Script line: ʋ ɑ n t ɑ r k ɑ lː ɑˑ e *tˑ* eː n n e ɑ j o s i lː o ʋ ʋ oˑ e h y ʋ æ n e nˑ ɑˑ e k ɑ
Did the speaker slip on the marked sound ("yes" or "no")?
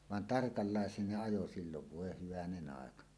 yes